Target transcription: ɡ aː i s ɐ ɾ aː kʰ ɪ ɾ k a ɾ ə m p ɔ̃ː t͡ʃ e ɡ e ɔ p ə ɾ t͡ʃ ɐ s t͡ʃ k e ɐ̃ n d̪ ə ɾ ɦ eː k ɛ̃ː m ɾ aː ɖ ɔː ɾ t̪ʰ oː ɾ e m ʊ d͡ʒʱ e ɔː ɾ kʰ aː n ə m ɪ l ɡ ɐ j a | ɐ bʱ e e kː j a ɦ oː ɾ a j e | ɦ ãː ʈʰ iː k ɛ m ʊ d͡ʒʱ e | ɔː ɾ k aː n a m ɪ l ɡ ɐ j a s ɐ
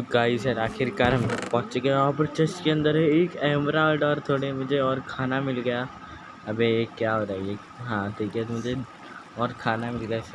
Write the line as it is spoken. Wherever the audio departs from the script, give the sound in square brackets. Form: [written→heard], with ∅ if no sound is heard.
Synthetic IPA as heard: ɡ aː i s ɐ ɾ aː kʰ ɪ ɾ k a ɾ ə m p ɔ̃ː t͡ʃ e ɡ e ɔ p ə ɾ t͡ʃ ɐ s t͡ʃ k e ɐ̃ n d̪ ə ɾ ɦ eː k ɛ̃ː m ɾ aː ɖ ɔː ɾ t̪ʰ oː [ɾ→ɽ] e m ʊ d͡ʒʱ e ɔː ɾ kʰ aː n [ə→a] m ɪ l ɡ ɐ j a | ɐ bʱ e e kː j a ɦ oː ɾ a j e | ɦ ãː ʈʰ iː k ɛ m ʊ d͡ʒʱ e | ɔː ɾ [k→kʰ] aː n a m ɪ l ɡ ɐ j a s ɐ